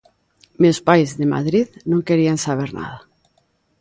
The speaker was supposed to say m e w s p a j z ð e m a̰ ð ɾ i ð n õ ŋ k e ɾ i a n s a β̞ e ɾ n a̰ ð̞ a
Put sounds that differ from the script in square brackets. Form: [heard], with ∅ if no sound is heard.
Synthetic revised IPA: m e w s p a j z ð e m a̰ ð ɾ i ð n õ ŋ k e ɾ i a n s a β̞ e ɾ n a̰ ð̞ a